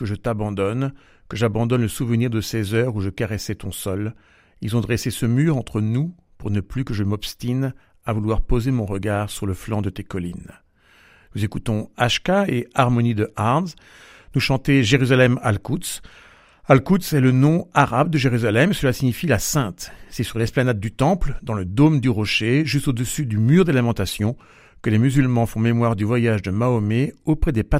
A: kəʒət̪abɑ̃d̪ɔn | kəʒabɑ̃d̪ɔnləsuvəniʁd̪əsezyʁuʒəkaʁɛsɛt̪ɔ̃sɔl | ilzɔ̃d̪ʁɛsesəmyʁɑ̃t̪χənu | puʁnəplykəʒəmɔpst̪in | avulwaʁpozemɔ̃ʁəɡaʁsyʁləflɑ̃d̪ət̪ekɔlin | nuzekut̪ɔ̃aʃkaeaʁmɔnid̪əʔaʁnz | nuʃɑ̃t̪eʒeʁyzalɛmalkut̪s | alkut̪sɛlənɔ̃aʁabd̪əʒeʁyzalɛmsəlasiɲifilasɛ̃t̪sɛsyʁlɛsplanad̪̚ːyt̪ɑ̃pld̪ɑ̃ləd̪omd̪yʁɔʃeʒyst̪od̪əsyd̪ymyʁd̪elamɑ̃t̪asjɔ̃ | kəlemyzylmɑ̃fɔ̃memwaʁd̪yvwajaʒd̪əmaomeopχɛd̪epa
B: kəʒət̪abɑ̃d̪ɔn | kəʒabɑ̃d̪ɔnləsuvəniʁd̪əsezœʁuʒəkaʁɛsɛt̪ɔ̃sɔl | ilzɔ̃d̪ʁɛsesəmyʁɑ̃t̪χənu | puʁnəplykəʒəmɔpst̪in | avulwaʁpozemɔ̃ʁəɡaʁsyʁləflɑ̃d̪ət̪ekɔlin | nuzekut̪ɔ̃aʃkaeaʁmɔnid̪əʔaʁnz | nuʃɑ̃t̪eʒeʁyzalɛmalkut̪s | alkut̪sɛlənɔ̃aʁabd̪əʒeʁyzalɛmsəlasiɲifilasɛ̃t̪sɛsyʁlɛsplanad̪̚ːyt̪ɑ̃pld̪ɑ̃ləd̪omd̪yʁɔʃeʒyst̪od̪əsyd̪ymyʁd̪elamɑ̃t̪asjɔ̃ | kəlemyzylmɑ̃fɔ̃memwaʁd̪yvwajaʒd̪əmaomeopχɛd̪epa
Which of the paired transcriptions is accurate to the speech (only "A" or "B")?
B